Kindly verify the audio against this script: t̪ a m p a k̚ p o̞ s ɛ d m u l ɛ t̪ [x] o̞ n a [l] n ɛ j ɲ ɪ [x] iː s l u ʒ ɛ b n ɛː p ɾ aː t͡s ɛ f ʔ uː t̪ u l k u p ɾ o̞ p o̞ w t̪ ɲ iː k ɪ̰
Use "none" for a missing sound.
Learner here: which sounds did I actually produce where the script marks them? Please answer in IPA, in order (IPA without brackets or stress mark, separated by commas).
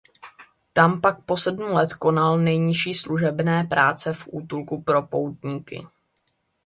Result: k, l, ʃ